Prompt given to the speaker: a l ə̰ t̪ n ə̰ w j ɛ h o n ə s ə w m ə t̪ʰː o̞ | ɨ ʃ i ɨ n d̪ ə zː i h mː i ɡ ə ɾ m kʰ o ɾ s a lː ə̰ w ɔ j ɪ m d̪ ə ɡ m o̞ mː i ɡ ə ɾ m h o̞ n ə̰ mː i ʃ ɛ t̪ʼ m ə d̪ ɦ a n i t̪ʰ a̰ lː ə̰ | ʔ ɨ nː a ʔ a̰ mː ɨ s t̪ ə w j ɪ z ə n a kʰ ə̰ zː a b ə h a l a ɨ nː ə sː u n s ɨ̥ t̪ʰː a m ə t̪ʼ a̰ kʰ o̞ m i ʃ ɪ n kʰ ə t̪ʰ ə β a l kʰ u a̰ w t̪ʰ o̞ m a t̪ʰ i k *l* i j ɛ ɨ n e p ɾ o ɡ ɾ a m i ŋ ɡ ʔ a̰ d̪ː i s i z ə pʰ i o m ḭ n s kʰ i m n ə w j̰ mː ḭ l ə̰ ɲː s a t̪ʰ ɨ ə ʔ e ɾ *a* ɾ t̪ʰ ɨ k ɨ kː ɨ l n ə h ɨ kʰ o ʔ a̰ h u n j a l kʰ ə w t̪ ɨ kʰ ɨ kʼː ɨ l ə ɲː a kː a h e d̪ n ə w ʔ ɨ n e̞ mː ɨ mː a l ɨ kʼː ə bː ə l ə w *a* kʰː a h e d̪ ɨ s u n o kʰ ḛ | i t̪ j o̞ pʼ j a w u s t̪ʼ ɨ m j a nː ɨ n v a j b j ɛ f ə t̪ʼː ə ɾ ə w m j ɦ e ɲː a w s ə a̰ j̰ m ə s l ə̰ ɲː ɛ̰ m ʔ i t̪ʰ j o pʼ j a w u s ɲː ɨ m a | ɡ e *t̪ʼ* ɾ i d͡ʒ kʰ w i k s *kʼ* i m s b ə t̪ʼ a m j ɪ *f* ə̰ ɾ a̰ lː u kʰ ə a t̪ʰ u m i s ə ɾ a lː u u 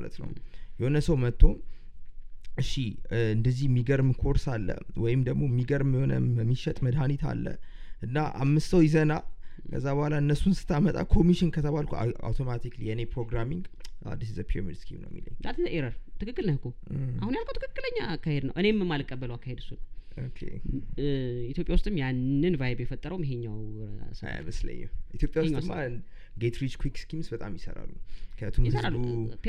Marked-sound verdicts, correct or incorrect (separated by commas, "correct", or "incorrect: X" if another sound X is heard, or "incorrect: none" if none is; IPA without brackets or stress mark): correct, incorrect: ə, correct, incorrect: t̪, incorrect: k, incorrect: s